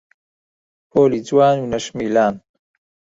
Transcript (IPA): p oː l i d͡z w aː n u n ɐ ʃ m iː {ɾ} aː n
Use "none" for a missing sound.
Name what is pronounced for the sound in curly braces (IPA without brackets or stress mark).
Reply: l